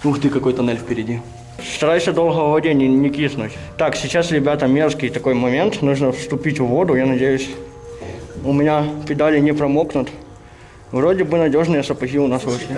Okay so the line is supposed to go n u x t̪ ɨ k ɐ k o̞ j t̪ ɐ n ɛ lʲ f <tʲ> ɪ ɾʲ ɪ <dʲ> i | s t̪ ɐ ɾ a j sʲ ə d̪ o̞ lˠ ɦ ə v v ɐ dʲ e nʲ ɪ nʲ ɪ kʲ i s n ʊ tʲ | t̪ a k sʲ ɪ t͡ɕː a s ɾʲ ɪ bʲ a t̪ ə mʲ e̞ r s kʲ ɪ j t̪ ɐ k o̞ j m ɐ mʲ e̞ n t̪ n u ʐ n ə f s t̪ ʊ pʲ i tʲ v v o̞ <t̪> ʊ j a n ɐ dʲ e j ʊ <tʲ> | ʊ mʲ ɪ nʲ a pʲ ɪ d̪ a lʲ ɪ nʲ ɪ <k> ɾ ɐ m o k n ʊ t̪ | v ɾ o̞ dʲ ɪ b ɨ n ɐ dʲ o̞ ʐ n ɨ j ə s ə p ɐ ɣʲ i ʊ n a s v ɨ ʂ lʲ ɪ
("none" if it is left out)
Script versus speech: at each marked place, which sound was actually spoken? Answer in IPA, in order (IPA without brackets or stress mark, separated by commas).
pʲ, dʲ, d̪, sʲ, p